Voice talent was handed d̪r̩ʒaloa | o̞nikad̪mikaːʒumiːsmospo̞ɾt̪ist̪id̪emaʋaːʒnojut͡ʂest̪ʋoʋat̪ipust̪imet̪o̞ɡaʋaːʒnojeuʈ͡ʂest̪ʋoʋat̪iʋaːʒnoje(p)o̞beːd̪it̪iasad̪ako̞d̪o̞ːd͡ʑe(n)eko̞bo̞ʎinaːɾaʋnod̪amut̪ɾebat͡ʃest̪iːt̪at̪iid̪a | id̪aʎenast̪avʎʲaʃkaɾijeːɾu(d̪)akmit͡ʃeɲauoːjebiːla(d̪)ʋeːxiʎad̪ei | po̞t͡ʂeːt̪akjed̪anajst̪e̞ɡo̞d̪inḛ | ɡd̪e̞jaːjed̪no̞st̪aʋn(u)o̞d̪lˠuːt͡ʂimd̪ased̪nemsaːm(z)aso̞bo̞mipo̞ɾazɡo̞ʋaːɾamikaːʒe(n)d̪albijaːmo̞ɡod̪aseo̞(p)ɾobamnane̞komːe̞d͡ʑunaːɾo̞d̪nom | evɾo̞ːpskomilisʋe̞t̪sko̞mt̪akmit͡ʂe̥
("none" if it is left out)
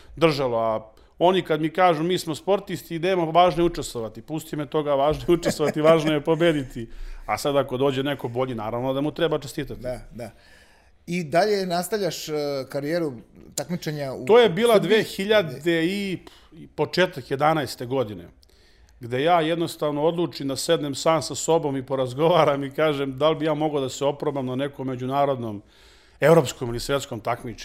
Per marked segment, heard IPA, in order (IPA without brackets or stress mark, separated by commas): p, n, t̪, d̪, o, s, m, p